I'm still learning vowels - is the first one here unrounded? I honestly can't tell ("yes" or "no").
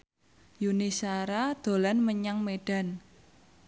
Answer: no